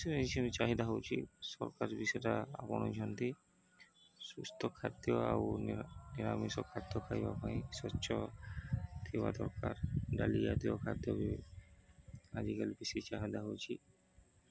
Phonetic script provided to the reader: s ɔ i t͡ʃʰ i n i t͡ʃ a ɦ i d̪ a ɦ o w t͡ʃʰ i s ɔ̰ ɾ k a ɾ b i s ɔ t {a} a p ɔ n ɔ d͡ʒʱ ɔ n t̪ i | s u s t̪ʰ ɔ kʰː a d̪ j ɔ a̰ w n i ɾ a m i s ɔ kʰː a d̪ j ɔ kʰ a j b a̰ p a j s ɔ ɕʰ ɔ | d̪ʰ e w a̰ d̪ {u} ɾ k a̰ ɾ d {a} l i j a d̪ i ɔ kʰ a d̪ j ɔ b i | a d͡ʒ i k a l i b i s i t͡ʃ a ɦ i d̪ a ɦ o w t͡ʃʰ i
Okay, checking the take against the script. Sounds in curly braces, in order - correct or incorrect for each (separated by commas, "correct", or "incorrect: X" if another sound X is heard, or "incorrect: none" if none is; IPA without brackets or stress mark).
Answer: correct, incorrect: ɔ, correct